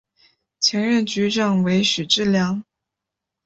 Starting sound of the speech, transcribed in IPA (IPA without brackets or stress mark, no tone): t͡ɕʰ